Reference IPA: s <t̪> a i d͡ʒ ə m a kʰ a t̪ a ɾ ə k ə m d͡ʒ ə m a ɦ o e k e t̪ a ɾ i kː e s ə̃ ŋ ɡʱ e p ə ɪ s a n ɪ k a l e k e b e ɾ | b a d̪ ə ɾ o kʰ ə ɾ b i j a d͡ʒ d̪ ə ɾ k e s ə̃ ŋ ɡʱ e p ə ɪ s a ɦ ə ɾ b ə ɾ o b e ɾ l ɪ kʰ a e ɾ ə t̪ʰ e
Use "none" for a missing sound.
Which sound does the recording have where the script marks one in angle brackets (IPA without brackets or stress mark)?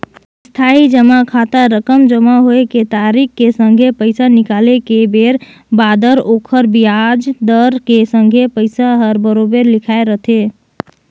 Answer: t̪ʰ